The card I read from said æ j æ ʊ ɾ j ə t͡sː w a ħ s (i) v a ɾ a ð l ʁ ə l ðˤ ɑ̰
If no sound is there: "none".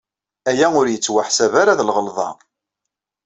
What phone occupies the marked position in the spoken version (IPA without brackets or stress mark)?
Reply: æ